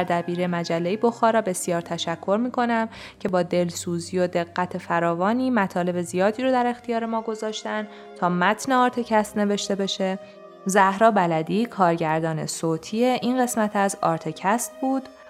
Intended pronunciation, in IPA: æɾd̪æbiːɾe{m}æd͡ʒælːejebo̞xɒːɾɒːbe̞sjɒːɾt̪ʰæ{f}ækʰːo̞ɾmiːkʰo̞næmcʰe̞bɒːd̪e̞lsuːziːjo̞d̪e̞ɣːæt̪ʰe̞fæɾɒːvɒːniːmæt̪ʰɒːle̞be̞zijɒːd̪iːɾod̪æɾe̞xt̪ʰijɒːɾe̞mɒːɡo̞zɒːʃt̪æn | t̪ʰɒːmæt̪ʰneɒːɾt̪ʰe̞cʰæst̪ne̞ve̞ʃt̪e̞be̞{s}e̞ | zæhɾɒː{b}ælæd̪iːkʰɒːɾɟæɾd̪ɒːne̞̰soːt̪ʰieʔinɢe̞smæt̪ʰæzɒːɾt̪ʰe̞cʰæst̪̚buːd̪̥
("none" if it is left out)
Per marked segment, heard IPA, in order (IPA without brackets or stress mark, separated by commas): m, ʃ, ʃ, b